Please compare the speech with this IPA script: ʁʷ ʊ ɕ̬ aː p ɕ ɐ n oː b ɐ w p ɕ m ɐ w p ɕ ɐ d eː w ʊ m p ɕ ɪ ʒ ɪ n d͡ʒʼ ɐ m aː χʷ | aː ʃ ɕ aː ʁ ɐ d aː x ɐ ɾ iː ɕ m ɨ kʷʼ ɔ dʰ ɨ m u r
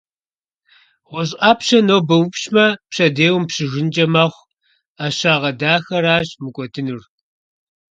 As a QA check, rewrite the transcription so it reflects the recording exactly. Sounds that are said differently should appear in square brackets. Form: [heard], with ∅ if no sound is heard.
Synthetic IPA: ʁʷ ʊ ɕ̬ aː p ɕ ɐ n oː b ɐ w p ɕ m ɐ [∅] p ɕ ɐ d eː w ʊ m p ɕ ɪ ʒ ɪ n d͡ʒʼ ɐ m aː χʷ | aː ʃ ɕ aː ʁ ɐ d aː x ɐ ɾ [aː] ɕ m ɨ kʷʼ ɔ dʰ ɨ [n] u r